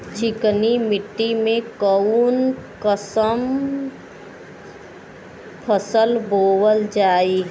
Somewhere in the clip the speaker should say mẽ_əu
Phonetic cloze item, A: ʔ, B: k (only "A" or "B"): B